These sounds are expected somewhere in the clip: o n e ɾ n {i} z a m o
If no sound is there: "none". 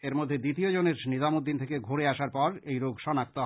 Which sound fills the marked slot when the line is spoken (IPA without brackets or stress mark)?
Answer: i